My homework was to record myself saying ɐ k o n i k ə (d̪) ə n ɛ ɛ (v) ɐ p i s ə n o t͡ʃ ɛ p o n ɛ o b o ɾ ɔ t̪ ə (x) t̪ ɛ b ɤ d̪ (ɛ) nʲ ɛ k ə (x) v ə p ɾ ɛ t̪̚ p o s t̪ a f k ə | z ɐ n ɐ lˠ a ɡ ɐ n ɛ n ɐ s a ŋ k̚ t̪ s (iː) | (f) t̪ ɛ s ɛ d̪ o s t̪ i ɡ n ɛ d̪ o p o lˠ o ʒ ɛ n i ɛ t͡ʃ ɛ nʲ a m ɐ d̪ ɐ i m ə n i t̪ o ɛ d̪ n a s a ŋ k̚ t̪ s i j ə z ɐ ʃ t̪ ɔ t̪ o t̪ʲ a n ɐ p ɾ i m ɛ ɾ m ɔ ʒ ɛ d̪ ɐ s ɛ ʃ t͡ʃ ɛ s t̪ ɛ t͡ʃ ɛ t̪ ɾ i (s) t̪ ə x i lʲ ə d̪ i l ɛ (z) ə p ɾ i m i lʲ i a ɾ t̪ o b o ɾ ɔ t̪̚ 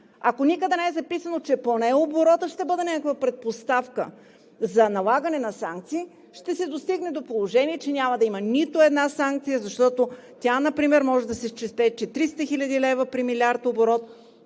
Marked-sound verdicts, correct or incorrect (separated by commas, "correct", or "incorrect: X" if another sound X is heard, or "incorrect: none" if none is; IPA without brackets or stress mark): correct, incorrect: z, incorrect: ʃ, correct, incorrect: k, correct, incorrect: ʃ, correct, incorrect: v